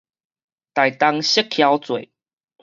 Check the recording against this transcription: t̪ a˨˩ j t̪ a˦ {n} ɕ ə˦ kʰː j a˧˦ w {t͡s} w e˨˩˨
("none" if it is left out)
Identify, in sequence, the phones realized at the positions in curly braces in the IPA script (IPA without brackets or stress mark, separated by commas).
ŋ, t͡s